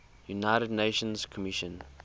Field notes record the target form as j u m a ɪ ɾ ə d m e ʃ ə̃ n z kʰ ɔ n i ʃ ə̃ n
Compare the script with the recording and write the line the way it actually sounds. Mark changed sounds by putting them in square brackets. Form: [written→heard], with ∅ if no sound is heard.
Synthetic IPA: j u [m→n] a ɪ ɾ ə d [m→n] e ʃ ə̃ n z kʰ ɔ [n→m] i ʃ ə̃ n